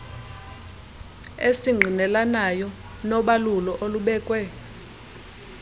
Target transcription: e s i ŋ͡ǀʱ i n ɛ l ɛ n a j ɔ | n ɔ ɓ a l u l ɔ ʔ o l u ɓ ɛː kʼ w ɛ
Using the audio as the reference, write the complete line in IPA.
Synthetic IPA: e s i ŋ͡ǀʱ i n ɛ l a n a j ɔ | n ɔ ɓ a l u l ɔ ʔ o l u ɓ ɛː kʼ w ɛ